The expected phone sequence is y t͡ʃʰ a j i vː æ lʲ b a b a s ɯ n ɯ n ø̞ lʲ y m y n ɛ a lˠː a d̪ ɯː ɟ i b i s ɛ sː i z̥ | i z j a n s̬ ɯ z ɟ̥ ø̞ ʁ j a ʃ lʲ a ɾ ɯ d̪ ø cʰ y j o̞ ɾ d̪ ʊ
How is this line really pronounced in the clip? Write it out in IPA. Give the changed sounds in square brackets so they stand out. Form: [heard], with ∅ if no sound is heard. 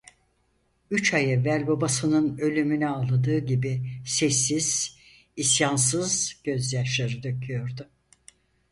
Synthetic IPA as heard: y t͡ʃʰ a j [ɛ] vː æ lʲ b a b a s ɯ n ɯ n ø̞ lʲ y m y n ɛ a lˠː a d̪ ɯː ɟ i b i s ɛ sː i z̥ | i [s] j a n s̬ ɯ z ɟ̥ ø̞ [z] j a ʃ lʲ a ɾ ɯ d̪ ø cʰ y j o̞ ɾ d̪ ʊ

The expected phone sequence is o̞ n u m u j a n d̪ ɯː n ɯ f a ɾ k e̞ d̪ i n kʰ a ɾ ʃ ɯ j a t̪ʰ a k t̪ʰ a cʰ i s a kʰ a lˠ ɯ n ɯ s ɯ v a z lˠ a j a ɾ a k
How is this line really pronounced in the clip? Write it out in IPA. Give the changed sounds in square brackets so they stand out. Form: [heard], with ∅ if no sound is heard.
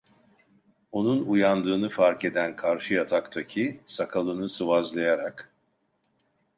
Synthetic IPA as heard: o̞ n u [n] u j a n d̪ ɯː n ɯ f a ɾ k e̞ d̪ [æ] n kʰ a ɾ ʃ ɯ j a t̪ʰ a k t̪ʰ a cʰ i s a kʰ a lˠ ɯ n ɯ s ɯ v a z lˠ a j a ɾ a k

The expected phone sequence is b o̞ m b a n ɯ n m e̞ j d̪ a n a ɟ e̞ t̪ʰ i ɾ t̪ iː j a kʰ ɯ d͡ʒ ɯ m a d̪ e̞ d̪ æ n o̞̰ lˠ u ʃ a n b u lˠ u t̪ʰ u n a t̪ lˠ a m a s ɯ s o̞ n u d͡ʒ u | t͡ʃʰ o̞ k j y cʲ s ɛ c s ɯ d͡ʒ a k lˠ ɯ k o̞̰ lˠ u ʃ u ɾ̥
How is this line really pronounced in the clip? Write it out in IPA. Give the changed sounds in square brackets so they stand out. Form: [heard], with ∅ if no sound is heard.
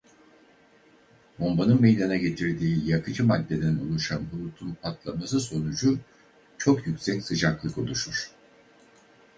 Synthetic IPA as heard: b o̞ m b a n ɯ n m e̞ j d̪ a n a ɟ e̞ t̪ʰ i ɾ [d̪] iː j a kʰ ɯ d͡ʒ ɯ m a [d̪ː] e̞ d̪ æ n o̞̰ lˠ u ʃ a n b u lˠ u t̪ʰ u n a t̪ lˠ a m a s ɯ s o̞ n u d͡ʒ u | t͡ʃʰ o̞ k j y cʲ s ɛ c s ɯ d͡ʒ a k lˠ ɯ k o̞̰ lˠ u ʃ u ɾ̥

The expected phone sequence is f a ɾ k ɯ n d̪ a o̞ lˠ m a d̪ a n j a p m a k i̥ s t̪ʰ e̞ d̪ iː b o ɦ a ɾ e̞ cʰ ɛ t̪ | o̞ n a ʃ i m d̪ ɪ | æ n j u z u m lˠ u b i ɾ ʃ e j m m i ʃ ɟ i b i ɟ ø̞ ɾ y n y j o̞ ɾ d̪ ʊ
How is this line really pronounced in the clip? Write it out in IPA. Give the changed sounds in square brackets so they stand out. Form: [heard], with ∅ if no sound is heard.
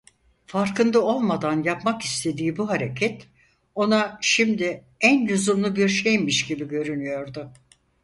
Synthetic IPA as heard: f a ɾ k ɯ n d̪ a o̞ lˠ m a d̪ a n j a p m a k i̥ s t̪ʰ e̞ d̪ iː b [u] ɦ a ɾ e̞ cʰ ɛ t̪ | o̞ n a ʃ i m d̪ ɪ | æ n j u z u m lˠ u b i ɾ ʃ e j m m i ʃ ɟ i b i ɟ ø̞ ɾ y n y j o̞ ɾ d̪ ʊ

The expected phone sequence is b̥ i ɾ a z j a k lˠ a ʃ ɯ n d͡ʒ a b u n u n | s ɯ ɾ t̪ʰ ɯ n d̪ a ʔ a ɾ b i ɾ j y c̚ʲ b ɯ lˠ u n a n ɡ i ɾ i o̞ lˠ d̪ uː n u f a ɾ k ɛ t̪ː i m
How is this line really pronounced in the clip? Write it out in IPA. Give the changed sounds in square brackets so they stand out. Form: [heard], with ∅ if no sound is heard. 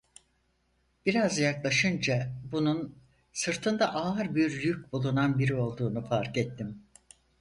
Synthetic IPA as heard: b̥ i ɾ a z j a k lˠ a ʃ ɯ n d͡ʒ a b u n u n | s ɯ ɾ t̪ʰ ɯ n d̪ a ʔ a ɾ b i ɾ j y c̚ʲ b [u] lˠ u n a n [b] i ɾ i o̞ lˠ d̪ uː n u f a ɾ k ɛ t̪ː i m

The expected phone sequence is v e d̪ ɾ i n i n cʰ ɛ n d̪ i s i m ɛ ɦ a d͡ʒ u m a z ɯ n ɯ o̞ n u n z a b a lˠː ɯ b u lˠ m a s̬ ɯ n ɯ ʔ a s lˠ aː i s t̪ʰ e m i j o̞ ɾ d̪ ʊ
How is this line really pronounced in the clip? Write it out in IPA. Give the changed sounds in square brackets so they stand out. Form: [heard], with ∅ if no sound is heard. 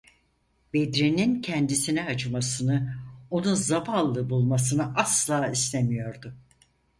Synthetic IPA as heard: [b] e d̪ ɾ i n i n cʰ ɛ n d̪ i s i [n] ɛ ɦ a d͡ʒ [ɯ] m a [s] ɯ n ɯ o̞ n u n z a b a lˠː ɯ b u lˠ m a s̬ ɯ n ɯ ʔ a s lˠ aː i s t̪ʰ e m i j o̞ ɾ d̪ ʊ

